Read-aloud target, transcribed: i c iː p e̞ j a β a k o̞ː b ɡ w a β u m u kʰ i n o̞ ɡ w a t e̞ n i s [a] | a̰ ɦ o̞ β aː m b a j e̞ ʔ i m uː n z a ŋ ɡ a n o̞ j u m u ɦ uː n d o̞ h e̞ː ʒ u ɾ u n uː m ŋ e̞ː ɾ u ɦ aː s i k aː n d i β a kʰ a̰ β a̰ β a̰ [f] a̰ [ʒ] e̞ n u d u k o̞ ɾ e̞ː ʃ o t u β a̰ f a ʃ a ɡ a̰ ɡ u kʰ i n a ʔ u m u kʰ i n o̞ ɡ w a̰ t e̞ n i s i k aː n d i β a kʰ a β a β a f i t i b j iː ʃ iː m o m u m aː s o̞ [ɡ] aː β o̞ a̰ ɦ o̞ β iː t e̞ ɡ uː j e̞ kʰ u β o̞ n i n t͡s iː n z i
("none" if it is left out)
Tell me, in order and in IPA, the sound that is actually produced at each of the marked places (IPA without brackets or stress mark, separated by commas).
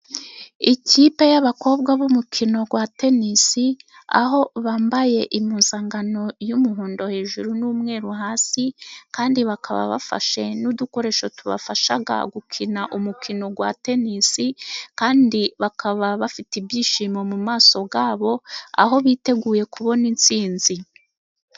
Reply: i, f, ʃ, ɡ